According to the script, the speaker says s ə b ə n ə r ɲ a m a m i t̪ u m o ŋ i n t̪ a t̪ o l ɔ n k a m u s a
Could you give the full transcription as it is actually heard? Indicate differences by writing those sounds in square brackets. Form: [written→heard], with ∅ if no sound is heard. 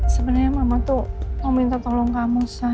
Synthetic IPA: s ə b ə n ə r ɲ a m a m [i→a] t̪ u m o [ŋ→m] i n t̪ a t̪ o l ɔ [n→ŋ] k a m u s a

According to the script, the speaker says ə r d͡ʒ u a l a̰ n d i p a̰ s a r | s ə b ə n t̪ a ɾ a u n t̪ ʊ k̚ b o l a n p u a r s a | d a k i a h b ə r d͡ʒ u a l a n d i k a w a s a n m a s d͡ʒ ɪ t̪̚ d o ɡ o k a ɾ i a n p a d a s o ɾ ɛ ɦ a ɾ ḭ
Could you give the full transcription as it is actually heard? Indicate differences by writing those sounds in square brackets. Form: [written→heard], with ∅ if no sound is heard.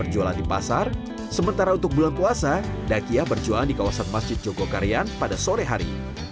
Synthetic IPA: ə r d͡ʒ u a l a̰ n d i p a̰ s a r | s ə [b→m] ə n t̪ a ɾ a u n t̪ ʊ k̚ b [o→u] l a n p u a [r→∅] s a | d a k i a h b ə r d͡ʒ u a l a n d i k a w a s a n m a s d͡ʒ ɪ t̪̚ [d→d͡ʒ] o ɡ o k a ɾ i a n p a d a s o ɾ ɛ ɦ a ɾ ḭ

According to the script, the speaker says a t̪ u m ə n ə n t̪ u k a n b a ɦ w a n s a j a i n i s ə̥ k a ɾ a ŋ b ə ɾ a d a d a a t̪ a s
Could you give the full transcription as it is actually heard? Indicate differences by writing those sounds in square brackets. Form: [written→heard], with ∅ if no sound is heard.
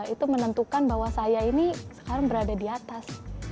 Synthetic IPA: [a→i] t̪ u m ə n ə n t̪ u k a n b a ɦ w a [n→∅] s a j a i n i s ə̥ k a ɾ a ŋ b ə ɾ a d a d [a→i] a t̪ a s

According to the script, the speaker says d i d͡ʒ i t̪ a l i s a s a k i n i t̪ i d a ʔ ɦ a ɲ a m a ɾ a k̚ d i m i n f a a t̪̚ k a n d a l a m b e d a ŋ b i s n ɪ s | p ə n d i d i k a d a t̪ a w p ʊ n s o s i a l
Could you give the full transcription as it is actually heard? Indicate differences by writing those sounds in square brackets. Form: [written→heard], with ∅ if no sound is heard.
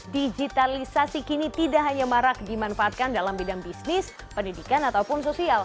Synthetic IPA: d i d͡ʒ i t̪ a l i s a s [a→i] k i n i t̪ i d a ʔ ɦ a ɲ a m a ɾ a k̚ d i m [i→a] n f a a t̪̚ k a n d a l a m b [e→i] d a ŋ b i s n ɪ s | p ə n d i d i k a [d→n] a t̪ a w p ʊ n s o s i a l

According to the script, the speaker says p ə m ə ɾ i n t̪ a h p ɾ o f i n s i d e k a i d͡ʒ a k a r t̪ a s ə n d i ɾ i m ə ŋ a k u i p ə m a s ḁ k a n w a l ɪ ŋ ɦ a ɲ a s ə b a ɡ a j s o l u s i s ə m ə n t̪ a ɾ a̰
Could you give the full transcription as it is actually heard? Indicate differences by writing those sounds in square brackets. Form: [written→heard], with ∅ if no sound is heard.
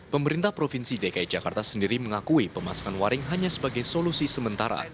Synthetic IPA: p ə m ə ɾ i n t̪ a h p ɾ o f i n s i d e k a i d͡ʒ a k a r t̪ a s ə n d i ɾ i m ə ŋ a k u i p ə m a s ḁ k a n w a [l→ɾ] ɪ ŋ ɦ a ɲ a s ə b a ɡ a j s o l u s i s ə m ə n t̪ a ɾ a̰

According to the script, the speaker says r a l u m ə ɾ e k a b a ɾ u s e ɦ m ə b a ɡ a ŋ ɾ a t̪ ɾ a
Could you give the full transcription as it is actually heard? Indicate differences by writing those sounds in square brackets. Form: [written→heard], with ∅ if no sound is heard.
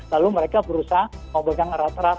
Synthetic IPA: [r→l] a l u m ə ɾ e k a b [a→ə] ɾ u s [e→a] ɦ m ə b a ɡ a ŋ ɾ a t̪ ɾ a

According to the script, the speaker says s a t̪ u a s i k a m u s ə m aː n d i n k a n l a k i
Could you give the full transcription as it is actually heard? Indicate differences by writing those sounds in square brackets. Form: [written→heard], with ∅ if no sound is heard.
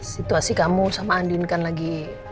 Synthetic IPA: s [a→i] t̪ u a s i k a m u s [ə→a] m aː n d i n k a n l a [k→ɡ] i

